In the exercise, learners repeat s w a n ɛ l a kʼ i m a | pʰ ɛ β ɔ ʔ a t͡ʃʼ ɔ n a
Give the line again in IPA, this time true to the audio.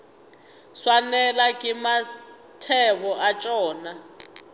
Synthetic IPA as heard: s w a n ɛ l a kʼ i m a | tʰ ɛ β ɔ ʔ a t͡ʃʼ ɔː n a

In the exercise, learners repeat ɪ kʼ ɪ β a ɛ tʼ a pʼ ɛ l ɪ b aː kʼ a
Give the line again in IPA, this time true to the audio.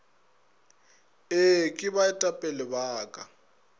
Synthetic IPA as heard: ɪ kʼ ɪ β a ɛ tʼ a pʼ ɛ l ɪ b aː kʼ a

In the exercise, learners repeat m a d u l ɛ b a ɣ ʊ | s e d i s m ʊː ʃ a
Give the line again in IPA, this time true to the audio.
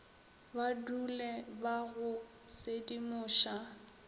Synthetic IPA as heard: b a d u l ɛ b a ɣ ʊ | s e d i m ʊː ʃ a

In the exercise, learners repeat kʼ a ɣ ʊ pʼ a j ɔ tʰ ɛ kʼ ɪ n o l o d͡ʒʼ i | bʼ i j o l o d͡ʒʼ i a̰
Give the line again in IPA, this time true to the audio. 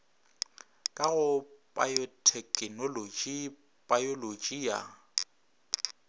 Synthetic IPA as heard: kʼ a ɣ ʊ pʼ a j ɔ tʰ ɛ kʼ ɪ n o l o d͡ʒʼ i | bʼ a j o l o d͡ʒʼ i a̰

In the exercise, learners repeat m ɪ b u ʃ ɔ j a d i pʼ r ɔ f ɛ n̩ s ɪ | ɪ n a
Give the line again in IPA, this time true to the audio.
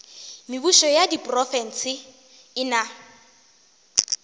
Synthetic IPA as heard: m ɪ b u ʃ ɔ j a d i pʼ r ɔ f ɛ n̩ s ɪ | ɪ n a

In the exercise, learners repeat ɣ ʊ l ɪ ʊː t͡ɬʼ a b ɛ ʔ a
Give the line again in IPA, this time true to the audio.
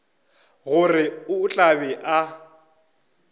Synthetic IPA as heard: ɣ ʊ r ɪ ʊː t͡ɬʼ a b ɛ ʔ a

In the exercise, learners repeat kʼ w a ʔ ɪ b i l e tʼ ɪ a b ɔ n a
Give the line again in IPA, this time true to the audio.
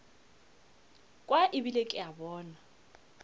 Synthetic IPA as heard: kʼ w a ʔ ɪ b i l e kʼ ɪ a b ɔː n a

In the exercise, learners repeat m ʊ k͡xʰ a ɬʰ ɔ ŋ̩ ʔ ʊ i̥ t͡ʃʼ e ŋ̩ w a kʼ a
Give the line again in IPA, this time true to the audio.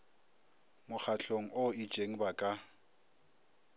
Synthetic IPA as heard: m ʊ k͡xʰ a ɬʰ o ŋ̩ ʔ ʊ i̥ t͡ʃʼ e ŋ̩ b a kʼ a

